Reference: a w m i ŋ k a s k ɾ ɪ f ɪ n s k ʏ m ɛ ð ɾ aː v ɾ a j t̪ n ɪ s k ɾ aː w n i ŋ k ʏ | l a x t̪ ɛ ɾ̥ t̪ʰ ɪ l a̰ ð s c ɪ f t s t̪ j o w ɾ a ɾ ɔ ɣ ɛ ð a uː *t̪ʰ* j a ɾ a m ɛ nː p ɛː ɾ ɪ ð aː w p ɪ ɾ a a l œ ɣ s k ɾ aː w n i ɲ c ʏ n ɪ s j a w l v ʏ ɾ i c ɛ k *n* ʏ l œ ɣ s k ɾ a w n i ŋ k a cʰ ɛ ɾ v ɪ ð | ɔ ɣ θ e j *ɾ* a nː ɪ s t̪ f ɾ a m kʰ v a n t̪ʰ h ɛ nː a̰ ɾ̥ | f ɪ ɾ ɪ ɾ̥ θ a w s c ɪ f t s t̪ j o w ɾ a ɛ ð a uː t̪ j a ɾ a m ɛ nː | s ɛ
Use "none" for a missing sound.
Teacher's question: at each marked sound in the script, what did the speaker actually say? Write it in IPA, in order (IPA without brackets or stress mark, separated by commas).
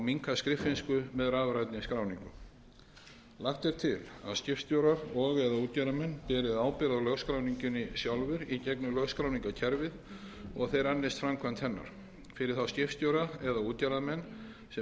t̪, n, ɾ